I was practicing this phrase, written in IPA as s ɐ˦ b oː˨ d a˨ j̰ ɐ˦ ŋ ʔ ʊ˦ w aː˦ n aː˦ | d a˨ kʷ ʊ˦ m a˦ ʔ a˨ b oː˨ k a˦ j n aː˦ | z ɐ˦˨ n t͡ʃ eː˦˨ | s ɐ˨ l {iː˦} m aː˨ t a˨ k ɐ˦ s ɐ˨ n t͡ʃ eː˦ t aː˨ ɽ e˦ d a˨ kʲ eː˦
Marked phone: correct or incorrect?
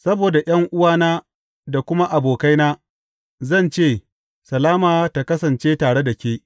incorrect